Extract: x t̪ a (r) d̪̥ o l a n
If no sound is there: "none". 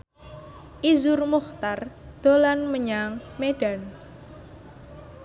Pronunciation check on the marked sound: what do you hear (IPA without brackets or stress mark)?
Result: r